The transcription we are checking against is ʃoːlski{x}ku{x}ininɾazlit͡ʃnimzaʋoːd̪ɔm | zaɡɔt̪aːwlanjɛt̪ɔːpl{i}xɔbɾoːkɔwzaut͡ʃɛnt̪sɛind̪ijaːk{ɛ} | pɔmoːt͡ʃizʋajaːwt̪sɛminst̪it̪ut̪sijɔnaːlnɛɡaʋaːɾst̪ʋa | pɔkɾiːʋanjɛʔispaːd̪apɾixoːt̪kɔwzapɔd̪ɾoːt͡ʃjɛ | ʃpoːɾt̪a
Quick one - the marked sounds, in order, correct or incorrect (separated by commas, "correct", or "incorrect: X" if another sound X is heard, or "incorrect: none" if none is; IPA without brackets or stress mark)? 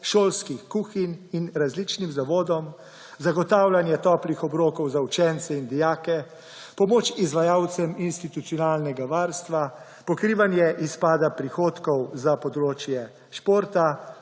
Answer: correct, correct, correct, correct